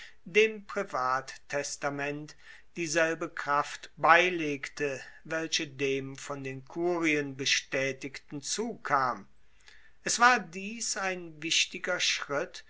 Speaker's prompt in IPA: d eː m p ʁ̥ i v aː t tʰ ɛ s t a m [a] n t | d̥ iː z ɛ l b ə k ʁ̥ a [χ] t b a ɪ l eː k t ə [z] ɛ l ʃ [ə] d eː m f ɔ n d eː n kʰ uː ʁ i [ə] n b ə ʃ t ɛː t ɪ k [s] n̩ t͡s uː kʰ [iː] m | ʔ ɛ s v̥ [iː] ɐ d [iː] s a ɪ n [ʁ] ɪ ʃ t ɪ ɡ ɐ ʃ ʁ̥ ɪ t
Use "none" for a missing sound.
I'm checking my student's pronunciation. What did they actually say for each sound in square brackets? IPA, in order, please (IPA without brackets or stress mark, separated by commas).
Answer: ɛ, f, v, ə, ə, t, aː, aː, iː, v